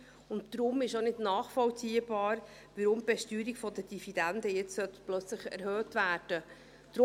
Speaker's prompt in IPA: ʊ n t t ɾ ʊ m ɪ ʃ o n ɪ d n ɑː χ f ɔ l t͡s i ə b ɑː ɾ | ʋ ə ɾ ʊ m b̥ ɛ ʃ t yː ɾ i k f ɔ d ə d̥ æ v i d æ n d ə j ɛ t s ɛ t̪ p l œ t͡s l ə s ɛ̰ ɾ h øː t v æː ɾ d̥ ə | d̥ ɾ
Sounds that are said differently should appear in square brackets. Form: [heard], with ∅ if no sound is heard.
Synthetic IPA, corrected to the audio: ʊ n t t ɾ ʊ m ɪ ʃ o n ɪ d n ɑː χ f ɔ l t͡s i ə b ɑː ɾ | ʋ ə ɾ ʊ m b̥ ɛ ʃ t yː ɾ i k f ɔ d ə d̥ [i] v i d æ n d ə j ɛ [t͡s] s [œ] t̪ p l œ t͡s l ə [χ] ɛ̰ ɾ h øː t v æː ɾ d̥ ə | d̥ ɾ